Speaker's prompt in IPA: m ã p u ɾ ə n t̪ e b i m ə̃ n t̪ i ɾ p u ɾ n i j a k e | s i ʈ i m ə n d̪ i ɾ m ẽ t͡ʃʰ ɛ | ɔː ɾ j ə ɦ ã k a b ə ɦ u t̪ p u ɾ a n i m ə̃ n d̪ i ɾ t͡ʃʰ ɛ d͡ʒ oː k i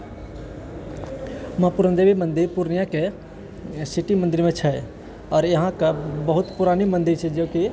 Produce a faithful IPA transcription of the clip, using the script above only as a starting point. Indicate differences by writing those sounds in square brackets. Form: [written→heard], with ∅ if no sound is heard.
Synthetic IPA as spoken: m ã p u ɾ ə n [t̪→d̪] e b i m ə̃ n [t̪→d̪] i ɾ p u ɾ n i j a k e | s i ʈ i m ə n d̪ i ɾ m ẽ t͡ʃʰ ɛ | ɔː ɾ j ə ɦ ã k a b ə ɦ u t̪ p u ɾ a n i m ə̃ n d̪ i ɾ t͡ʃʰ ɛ d͡ʒ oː k i

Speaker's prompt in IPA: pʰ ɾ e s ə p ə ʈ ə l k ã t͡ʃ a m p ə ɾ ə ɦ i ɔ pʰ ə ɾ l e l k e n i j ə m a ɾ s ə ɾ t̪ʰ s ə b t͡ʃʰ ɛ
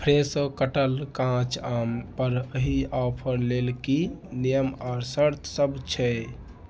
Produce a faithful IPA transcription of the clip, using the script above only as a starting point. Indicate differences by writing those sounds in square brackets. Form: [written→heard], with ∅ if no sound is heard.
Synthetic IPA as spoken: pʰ ɾ e s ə [p→k] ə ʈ ə l k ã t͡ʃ a m p ə ɾ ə ɦ i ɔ pʰ ə ɾ l e l k [e→i] n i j ə m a ɾ s ə ɾ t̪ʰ s ə b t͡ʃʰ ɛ

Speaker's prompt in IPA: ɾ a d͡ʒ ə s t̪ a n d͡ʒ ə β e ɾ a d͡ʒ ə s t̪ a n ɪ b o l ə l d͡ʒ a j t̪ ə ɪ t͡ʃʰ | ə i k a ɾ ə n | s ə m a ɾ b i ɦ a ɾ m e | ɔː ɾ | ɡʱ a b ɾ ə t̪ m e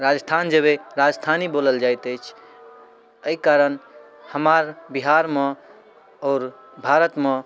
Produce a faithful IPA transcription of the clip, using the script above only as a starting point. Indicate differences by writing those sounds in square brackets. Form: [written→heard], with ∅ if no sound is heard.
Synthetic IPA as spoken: ɾ a d͡ʒ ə s [t̪→t̪ʰ] a n d͡ʒ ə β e ɾ a d͡ʒ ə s [t̪→t̪ʰ] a n [ɪ→i] b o l ə l d͡ʒ a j t̪ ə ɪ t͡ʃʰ | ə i k a ɾ ə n | [s→h] ə m a ɾ b i ɦ a ɾ m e | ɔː ɾ | [ɡʱ→bʱ] a [b→∅] ɾ ə t̪ m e

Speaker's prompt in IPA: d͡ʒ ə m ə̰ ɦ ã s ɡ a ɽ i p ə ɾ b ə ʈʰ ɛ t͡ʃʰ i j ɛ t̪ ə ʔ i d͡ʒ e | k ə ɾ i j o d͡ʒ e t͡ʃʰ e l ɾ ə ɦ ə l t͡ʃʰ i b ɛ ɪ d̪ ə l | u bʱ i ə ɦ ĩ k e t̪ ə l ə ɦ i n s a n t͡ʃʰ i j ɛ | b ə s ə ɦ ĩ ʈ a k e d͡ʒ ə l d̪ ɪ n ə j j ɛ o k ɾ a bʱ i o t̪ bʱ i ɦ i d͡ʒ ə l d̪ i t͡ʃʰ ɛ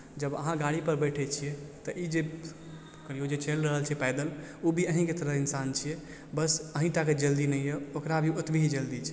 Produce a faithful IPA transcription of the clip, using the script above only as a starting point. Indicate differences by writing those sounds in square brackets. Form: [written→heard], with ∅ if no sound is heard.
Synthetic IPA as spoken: d͡ʒ ə [m→b] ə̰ ɦ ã [s→∅] ɡ a ɽ i p ə ɾ b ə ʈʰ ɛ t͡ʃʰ i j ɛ t̪ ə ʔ i d͡ʒ e | k ə ɾ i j o d͡ʒ e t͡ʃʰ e l ɾ ə ɦ ə l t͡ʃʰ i [b→p] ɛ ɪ d̪ ə l | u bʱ i ə ɦ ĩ k e t̪ ə [l→ɾ] ə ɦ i n s a n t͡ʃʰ i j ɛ | b ə s ə ɦ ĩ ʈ a k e d͡ʒ ə l d̪ [ɪ→i] n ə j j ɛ o k ɾ a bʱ i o t̪ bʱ i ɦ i d͡ʒ ə l d̪ i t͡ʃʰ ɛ

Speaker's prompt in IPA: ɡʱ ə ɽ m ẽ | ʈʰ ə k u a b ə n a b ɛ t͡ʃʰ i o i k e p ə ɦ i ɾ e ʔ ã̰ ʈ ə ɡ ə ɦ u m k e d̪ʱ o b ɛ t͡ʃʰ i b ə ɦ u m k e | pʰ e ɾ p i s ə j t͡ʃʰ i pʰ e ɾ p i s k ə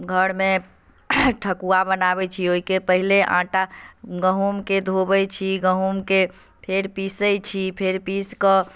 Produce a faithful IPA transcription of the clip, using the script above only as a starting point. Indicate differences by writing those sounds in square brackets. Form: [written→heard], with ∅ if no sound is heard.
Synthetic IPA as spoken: ɡʱ ə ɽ m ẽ | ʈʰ ə k u a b ə n a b ɛ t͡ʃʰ i o i k e p ə ɦ i [ɾ→l] e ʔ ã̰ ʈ [ə→a] ɡ ə ɦ u m k e d̪ʱ o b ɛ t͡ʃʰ i [b→ɡ] ə ɦ u m k e | pʰ e ɾ p i s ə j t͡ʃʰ i pʰ e ɾ p i s k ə

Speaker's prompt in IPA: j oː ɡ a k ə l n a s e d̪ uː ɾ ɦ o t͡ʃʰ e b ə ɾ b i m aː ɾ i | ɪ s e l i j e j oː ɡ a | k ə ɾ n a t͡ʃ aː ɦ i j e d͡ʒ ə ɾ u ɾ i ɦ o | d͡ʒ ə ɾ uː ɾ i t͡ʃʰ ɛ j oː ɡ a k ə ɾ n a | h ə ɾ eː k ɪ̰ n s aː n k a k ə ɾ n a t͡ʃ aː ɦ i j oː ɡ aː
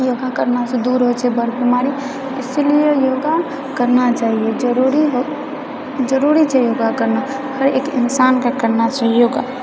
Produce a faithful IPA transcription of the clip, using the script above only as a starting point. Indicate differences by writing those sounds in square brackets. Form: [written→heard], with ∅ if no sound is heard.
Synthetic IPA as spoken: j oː ɡ a k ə [l→ɾ] n a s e d̪ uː ɾ ɦ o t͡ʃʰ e b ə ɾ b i m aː ɾ i | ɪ s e l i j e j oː ɡ a | k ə ɾ n a t͡ʃ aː ɦ i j e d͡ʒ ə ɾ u ɾ i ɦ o | d͡ʒ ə ɾ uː ɾ i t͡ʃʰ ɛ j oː ɡ a k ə ɾ n a | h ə ɾ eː k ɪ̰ n s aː n k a k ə ɾ n a t͡ʃ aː ɦ i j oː ɡ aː

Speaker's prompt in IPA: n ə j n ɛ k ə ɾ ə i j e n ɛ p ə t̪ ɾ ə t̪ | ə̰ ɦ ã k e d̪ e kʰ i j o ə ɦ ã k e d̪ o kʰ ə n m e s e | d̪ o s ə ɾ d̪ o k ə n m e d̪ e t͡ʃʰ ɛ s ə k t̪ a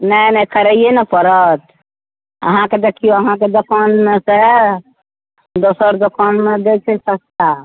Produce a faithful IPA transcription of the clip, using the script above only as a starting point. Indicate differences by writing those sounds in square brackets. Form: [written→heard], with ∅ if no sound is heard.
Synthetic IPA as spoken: n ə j n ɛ k ə ɾ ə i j e n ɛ p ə [t̪→∅] ɾ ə t̪ | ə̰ ɦ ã k e d̪ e kʰ i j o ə ɦ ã k e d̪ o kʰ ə n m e s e | d̪ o s ə ɾ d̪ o k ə n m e d̪ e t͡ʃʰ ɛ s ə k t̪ a

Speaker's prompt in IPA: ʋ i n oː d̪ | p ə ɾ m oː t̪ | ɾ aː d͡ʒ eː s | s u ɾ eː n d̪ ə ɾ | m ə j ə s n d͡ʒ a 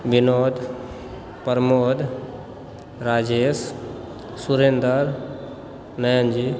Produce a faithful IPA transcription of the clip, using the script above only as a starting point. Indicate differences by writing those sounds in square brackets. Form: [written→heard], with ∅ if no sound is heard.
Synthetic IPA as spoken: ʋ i n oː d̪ | p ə ɾ m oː [t̪→d̪] | ɾ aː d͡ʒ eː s | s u ɾ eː n d̪ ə ɾ | [m→n] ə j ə [s→∅] n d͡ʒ [a→i]

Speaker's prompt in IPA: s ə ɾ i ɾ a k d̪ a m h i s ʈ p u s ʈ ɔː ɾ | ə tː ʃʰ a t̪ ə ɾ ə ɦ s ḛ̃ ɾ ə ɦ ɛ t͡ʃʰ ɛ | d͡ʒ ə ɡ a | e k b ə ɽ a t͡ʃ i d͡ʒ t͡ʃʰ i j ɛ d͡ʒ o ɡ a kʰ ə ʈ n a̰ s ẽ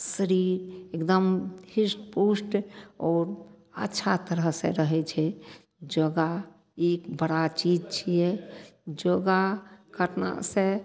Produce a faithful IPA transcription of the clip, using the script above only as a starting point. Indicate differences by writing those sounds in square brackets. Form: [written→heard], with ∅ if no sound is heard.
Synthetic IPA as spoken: s ə ɾ i ɾ [a→e] k d̪ [a→ə] m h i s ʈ p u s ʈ ɔː ɾ | ə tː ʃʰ a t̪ ə ɾ ə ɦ s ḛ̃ ɾ ə ɦ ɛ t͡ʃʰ ɛ | d͡ʒ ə ɡ a | e k b ə ɽ a t͡ʃ i d͡ʒ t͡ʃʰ i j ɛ d͡ʒ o ɡ a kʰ ə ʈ n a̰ s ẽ

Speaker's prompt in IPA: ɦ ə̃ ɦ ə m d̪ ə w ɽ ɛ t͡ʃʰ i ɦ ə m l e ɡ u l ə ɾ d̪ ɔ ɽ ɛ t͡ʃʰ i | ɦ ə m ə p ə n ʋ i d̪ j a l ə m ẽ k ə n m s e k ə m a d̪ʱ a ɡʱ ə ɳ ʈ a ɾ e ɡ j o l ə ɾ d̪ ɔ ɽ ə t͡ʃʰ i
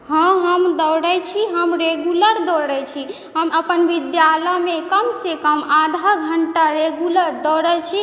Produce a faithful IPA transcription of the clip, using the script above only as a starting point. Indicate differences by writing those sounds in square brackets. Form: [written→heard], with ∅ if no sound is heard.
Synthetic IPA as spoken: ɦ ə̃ ɦ ə m d̪ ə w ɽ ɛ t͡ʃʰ i ɦ ə m [l→ɾ] e ɡ u l ə ɾ d̪ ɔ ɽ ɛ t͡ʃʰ i | ɦ ə m ə p ə n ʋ i d̪ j a l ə m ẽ k ə [n→∅] m s e k ə m a d̪ʱ a ɡʱ ə ɳ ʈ a ɾ e ɡ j [o→u] l ə ɾ d̪ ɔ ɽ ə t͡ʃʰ i

